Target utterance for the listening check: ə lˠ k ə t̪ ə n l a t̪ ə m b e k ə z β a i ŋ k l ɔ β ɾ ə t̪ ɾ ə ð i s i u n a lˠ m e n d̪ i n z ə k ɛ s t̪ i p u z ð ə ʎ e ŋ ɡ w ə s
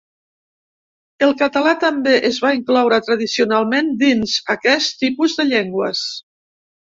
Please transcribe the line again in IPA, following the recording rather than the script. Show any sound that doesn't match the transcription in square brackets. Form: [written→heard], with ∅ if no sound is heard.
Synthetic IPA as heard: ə lˠ k ə t̪ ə [n→∅] l a t̪ ə m b e [k→ʔ] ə z β a i ŋ k l ɔ [β→w] ɾ ə t̪ ɾ ə ð i s i u n a lˠ m e n d̪ i n z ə k ɛ s t̪ i p u z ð ə ʎ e ŋ ɡ w ə s